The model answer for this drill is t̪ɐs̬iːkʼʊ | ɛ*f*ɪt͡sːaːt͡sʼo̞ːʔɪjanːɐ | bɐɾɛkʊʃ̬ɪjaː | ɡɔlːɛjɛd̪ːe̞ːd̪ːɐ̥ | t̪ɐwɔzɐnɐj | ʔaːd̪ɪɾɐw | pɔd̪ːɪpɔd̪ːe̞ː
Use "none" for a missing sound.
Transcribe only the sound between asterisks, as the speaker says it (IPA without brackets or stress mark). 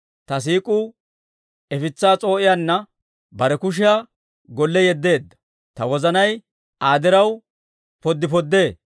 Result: f